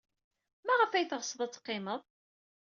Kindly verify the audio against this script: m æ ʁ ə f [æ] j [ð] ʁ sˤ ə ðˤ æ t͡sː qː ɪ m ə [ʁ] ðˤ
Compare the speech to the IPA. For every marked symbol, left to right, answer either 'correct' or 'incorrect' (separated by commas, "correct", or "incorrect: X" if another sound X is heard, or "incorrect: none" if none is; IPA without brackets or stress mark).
correct, incorrect: θ, incorrect: none